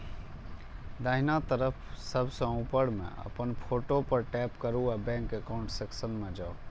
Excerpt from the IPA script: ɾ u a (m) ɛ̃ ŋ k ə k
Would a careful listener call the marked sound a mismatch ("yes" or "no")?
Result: yes